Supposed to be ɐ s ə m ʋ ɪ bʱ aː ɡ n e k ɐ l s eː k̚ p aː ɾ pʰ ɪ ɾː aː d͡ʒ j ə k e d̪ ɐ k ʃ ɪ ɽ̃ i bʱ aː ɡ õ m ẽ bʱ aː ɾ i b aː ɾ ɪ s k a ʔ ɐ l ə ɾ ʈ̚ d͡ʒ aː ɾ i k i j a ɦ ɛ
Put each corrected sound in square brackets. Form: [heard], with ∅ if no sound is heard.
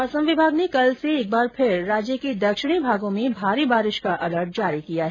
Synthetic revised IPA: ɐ s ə m ʋ ɪ bʱ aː ɡ n e k ɐ l s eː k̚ [b] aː ɾ pʰ ɪ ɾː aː d͡ʒ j ə k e d̪ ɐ k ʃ ɪ ɽ̃ i bʱ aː ɡ õ m ẽ bʱ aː ɾ i b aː ɾ ɪ [ʃ] k a ʔ ɐ l ə ɾ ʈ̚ d͡ʒ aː ɾ i k i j a ɦ ɛ